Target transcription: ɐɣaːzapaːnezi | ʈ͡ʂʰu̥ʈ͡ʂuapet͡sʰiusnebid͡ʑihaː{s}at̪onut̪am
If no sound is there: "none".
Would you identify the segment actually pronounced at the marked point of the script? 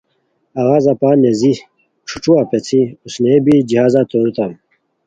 z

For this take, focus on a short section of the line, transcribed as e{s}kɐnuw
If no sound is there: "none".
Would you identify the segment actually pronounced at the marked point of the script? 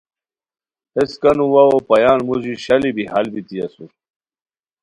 s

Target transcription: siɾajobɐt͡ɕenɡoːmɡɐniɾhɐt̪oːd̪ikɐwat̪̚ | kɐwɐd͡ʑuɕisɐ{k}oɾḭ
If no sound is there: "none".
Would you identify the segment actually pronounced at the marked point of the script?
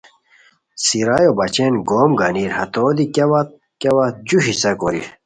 k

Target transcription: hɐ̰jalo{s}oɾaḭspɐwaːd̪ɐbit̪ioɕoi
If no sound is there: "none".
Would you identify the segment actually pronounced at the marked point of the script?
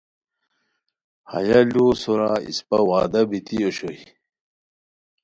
s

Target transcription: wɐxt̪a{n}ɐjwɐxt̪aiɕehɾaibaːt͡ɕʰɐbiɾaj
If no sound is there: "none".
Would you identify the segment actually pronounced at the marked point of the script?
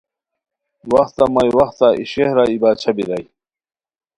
m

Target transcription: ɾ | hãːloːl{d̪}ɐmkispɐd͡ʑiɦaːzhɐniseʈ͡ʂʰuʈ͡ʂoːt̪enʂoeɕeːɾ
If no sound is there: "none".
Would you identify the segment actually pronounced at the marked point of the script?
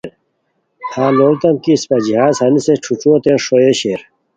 t̪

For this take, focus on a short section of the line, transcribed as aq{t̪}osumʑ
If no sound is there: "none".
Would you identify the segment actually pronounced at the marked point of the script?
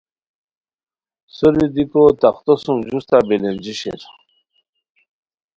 t̪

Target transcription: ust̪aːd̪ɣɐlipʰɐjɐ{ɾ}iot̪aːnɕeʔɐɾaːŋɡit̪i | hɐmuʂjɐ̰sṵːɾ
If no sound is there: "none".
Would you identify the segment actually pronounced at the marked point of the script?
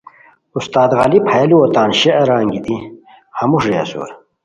l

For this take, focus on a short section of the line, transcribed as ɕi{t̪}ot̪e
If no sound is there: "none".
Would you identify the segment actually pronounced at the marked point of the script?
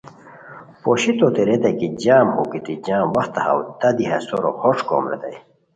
t̪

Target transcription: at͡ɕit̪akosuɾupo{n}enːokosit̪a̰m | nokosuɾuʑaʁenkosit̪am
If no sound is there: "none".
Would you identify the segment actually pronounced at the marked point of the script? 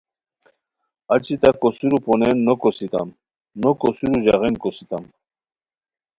n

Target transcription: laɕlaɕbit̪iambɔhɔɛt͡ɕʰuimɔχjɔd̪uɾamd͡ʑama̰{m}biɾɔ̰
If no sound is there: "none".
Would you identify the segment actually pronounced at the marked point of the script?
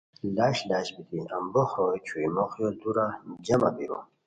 none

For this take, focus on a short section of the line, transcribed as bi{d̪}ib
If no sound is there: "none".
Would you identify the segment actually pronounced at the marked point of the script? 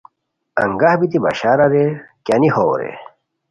t̪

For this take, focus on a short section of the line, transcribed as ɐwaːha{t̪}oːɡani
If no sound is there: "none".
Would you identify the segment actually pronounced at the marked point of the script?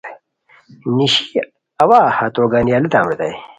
t̪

